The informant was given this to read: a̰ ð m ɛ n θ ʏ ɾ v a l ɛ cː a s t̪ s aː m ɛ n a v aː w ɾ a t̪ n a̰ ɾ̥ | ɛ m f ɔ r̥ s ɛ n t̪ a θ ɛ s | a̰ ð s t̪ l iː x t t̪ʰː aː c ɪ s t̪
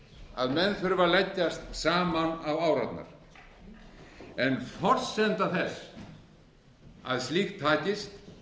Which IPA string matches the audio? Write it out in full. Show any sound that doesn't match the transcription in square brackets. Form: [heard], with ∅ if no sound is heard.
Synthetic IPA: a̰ ð m ɛ n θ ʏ ɾ v a l ɛ cː a s t̪ s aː m [a] n a v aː w ɾ a t̪ n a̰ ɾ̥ | ɛ [n] f ɔ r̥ s ɛ n t̪ a θ ɛ s | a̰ ð s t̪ l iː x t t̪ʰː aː c ɪ s t̪